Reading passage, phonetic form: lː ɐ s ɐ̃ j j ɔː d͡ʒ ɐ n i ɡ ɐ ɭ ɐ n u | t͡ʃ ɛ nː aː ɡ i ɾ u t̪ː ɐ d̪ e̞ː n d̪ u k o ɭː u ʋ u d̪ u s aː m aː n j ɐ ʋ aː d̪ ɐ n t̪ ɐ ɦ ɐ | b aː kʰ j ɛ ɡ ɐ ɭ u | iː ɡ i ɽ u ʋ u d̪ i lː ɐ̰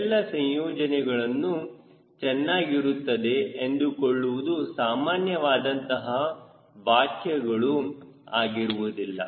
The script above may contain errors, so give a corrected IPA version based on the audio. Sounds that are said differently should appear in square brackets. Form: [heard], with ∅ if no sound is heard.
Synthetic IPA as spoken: lː ɐ s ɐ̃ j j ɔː d͡ʒ ɐ n [ɛ] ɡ ɐ ɭ ɐ [nː] u | t͡ʃ ɛ nː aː ɡ i ɾ u t̪ː ɐ d̪ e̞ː n d̪ u k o ɭː u ʋ u d̪ u s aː m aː n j ɐ ʋ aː d̪ ɐ n t̪ ɐ ɦ ɐ | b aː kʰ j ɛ ɡ ɐ ɭ u | [aː] ɡ i [ɾ] u ʋ u d̪ i lː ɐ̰

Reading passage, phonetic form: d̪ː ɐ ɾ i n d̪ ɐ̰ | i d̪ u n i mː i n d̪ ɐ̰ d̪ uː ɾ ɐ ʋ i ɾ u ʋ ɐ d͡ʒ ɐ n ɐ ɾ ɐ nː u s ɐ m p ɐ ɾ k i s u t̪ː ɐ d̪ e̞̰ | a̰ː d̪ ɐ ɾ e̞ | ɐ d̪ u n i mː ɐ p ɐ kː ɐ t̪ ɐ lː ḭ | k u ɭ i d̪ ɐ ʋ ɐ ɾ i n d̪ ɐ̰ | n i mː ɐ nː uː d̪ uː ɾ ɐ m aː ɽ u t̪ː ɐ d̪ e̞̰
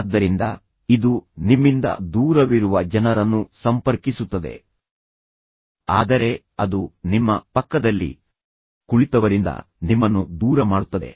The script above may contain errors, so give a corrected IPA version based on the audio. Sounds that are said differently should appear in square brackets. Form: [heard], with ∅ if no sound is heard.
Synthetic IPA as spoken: d̪ː ɐ ɾ i n d̪ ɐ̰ | i d̪ u n i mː i n d̪ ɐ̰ d̪ uː ɾ ɐ ʋ i ɾ u ʋ ɐ d͡ʒ ɐ n ɐ ɾ ɐ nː u s ɐ m p ɐ ɾ k i s u t̪ː ɐ d̪ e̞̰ | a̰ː d̪ ɐ ɾ e̞ | ɐ d̪ u n i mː ɐ p ɐ kː ɐ [d̪] ɐ lː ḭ | k u ɭ i [t̪] ɐ ʋ ɐ ɾ i n d̪ ɐ̰ | n i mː ɐ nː [u] d̪ uː ɾ ɐ m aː ɽ u t̪ː ɐ d̪ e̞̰

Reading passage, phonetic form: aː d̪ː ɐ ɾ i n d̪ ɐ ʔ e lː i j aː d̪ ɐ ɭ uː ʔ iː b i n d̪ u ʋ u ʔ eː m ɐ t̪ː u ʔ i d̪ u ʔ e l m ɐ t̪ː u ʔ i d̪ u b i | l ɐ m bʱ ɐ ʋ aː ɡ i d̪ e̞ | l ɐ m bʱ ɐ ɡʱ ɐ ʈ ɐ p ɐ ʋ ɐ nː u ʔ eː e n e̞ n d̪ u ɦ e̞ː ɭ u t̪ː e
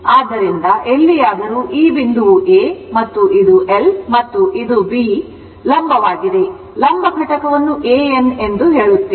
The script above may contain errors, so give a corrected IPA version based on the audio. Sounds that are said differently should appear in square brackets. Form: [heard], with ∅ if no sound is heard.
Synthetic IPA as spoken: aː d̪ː ɐ ɾ i n d̪ ɐ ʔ e lː i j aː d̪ ɐ [ɾ] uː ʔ iː b i n d̪ u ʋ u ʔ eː m ɐ t̪ː u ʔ i d̪ u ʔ e l m ɐ t̪ː u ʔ i d̪ u b i | l ɐ m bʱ ɐ ʋ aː ɡ i d̪ e̞ | l ɐ m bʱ ɐ ɡʱ ɐ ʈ ɐ [k] ɐ ʋ ɐ nː u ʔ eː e n e̞ n d̪ u ɦ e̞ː ɭ u t̪ː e

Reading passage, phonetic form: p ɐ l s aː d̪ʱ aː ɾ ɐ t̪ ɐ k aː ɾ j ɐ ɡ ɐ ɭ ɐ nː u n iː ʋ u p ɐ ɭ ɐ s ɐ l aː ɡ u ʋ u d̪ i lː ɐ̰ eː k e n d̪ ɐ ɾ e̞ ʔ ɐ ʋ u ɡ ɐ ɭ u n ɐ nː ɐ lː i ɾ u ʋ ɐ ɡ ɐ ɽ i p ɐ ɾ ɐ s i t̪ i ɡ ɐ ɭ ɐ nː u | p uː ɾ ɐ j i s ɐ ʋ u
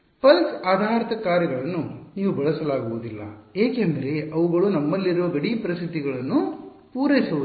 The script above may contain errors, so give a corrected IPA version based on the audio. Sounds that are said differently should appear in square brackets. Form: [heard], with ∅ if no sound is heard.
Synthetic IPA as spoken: p ɐ l s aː d̪ʱ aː ɾ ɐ t̪ ɐ k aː ɾ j ɐ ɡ ɐ ɭ ɐ nː u n iː ʋ u [b] ɐ ɭ ɐ s ɐ l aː ɡ u ʋ u d̪ i lː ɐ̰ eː k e n d̪ ɐ ɾ e̞ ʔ ɐ ʋ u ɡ ɐ ɭ u n ɐ [mː] ɐ lː i ɾ u ʋ ɐ ɡ ɐ ɽ i p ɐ ɾ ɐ s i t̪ i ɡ ɐ ɭ ɐ nː u | p uː ɾ ɐ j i s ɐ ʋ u

